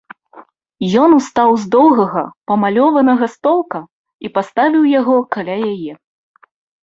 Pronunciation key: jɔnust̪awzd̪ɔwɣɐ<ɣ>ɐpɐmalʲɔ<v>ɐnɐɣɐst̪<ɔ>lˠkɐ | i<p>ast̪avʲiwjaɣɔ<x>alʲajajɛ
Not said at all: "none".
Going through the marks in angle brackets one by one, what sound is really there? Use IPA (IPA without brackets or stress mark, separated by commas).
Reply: ɣ, v, ɔ, p, k